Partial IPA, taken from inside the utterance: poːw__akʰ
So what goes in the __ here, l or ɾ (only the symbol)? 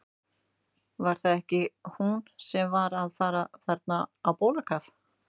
l